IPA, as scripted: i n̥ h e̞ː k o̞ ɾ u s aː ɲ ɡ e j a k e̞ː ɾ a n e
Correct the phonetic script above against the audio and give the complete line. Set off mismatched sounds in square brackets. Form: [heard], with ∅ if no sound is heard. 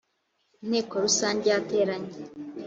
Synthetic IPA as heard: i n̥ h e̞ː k o̞ ɾ u s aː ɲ [ɟ] e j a [t] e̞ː ɾ a [ɲ] e

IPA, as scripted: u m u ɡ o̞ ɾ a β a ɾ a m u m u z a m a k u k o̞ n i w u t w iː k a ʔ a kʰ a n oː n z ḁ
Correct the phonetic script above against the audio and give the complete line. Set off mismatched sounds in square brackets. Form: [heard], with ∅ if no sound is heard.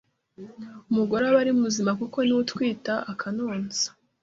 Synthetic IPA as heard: u m u ɡ o̞ ɾ a β a ɾ [i] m u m u z [i] m a k u k o̞ n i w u t w iː [t] a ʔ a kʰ a n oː n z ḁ

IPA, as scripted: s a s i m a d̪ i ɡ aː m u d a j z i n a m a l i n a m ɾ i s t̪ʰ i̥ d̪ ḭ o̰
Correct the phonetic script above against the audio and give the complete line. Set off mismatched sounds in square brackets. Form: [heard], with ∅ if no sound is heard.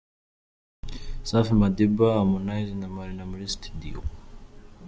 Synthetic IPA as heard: s a [f] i m a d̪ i [b] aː m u [n] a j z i n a m a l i n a m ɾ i s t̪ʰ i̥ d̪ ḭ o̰

